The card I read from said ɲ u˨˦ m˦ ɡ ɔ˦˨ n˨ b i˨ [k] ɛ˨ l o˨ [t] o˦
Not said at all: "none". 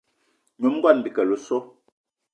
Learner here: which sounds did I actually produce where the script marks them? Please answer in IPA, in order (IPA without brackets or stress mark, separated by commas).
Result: k, s